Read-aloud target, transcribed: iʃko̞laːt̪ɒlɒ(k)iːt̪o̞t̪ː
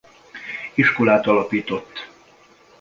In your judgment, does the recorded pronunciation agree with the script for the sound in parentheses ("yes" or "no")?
no